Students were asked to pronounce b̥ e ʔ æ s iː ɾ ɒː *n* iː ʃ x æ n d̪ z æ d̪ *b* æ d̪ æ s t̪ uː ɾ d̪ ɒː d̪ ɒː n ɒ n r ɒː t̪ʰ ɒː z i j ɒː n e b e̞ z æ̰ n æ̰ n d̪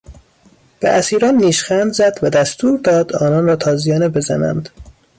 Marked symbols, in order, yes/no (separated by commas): no, no